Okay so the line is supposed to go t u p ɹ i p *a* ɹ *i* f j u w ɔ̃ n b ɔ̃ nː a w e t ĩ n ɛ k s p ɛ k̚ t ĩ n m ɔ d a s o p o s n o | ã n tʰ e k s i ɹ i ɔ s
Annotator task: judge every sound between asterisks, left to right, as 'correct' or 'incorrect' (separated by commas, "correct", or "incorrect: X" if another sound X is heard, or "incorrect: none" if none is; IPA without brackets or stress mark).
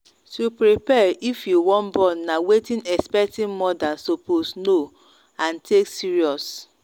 incorrect: ɛ, correct